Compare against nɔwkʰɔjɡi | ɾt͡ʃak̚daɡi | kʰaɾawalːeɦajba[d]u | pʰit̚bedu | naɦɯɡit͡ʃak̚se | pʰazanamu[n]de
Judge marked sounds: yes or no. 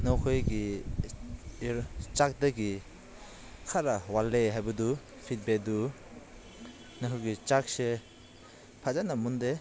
yes, yes

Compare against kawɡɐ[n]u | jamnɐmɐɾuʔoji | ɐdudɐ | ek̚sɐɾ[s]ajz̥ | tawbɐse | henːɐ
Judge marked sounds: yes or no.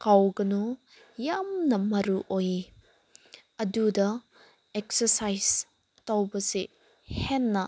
yes, yes

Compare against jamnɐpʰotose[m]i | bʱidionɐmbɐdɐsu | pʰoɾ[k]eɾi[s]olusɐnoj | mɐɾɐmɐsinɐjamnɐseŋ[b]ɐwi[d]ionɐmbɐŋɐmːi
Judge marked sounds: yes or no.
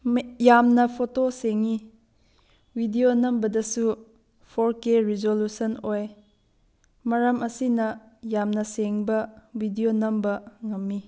no, yes, no, yes, yes

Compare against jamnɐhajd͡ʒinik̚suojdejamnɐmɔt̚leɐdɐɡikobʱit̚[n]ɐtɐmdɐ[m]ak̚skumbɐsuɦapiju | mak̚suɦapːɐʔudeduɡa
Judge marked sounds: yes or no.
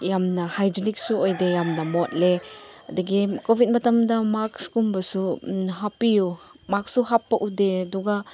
no, yes

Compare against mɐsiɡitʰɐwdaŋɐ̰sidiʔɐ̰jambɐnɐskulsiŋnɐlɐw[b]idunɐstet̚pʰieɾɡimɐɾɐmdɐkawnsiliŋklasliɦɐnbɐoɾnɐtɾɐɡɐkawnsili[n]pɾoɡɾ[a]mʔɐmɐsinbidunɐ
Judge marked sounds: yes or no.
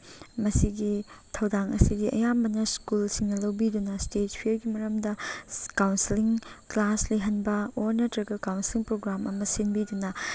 yes, no, yes

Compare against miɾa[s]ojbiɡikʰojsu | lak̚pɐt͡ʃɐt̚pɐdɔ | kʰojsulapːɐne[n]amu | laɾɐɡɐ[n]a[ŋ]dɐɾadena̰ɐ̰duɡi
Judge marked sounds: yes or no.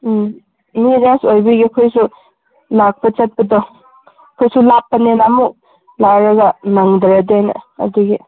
yes, yes, yes, yes

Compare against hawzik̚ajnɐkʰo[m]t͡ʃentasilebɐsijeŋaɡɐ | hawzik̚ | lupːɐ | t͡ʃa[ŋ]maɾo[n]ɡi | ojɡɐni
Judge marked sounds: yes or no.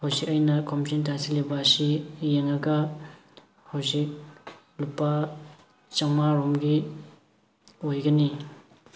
yes, yes, no

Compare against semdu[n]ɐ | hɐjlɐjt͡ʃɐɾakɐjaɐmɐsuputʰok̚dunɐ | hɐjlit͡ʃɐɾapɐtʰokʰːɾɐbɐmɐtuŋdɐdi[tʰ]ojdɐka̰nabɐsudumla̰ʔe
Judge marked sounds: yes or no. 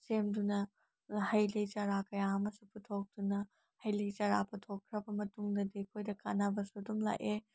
yes, no

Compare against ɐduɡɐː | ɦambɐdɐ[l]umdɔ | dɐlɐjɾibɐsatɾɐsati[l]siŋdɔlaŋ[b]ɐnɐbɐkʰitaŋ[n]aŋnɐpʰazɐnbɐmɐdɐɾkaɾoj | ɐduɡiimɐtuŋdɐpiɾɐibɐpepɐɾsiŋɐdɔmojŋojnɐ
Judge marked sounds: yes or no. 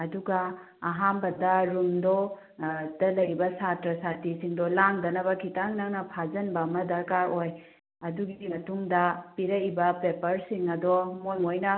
no, no, no, yes

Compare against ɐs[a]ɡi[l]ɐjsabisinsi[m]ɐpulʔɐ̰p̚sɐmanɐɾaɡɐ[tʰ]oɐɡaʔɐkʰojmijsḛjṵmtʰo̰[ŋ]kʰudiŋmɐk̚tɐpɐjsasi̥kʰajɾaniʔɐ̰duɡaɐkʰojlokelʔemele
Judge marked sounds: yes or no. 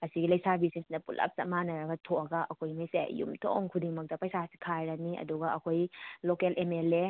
no, yes, no, yes, yes

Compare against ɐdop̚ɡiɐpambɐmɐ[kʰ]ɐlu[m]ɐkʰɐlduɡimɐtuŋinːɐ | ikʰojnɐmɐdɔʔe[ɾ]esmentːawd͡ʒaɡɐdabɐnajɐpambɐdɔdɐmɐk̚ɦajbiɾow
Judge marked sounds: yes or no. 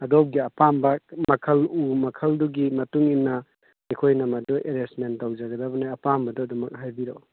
yes, yes, yes

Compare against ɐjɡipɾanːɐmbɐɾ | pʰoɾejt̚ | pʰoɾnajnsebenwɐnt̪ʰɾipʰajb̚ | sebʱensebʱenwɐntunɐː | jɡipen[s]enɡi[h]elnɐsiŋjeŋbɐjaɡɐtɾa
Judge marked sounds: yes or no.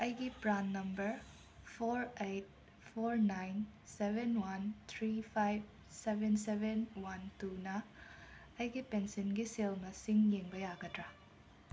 yes, no

